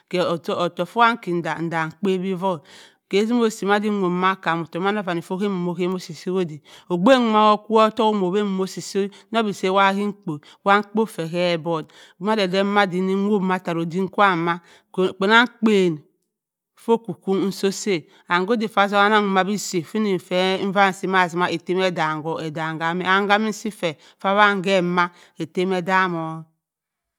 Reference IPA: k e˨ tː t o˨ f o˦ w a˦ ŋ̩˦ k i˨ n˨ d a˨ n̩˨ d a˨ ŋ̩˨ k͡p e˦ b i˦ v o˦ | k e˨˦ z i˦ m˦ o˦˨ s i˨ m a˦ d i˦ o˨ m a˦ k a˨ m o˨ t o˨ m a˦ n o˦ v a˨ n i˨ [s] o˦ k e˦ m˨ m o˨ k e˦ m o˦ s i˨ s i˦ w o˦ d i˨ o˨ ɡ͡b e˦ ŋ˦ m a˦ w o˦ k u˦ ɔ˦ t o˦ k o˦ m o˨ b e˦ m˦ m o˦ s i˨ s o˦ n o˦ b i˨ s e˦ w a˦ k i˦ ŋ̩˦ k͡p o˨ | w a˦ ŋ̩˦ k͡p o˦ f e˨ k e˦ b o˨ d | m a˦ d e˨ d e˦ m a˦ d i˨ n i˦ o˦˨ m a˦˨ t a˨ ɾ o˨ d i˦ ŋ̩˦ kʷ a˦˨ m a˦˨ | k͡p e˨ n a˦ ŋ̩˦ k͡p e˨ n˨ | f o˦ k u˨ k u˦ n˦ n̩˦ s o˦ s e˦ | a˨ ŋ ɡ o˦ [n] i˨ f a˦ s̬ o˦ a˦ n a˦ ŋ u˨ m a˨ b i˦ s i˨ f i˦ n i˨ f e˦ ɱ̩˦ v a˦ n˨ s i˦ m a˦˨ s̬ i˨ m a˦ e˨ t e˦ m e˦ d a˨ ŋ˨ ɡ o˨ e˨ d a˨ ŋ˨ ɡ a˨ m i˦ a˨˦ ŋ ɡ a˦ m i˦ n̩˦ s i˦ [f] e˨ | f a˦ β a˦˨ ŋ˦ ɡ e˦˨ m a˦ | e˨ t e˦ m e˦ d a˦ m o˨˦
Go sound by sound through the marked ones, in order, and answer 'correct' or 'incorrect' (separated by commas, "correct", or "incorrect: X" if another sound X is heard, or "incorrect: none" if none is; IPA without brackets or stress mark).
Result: incorrect: f, incorrect: d, correct